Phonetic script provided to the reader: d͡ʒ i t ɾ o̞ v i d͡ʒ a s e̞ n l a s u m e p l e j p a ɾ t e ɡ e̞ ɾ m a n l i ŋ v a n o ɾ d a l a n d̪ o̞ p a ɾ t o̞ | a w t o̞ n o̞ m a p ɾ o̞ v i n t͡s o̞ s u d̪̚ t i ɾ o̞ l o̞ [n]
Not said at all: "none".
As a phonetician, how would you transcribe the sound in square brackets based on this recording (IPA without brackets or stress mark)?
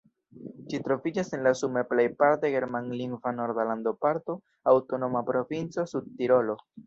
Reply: none